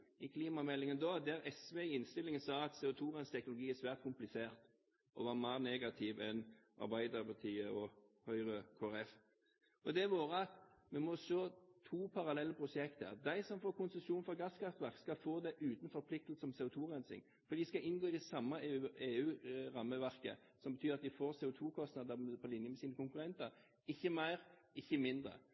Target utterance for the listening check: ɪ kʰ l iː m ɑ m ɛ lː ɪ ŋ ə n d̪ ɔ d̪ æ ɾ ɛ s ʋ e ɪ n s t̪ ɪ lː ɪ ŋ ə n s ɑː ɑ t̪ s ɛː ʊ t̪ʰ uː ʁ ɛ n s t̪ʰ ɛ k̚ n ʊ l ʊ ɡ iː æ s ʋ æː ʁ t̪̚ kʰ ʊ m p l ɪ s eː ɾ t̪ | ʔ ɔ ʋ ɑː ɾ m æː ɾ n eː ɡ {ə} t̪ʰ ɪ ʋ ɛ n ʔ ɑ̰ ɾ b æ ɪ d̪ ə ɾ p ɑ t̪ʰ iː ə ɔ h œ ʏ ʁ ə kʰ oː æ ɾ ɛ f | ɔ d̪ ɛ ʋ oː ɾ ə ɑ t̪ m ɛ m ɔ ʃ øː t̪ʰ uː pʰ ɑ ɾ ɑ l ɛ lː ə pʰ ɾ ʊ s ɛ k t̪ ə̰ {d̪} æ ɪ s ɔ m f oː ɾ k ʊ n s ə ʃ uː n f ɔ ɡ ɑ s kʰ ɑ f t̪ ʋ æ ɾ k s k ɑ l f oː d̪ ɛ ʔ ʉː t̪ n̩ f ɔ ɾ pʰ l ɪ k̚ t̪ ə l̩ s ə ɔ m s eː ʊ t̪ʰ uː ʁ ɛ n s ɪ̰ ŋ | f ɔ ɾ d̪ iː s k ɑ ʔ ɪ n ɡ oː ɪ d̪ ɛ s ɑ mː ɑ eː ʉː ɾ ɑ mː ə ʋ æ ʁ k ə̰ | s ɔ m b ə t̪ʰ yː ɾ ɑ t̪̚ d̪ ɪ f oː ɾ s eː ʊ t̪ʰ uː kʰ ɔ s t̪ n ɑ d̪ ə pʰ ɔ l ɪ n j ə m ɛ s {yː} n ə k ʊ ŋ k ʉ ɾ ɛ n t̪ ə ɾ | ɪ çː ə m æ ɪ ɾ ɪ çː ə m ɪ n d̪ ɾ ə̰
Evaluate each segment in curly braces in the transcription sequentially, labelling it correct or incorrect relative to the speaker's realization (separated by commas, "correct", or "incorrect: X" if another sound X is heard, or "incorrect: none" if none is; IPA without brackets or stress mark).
incorrect: ɑ, correct, incorrect: iː